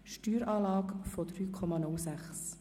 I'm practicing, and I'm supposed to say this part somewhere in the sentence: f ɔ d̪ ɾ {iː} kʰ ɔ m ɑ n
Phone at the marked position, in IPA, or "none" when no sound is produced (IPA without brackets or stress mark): yː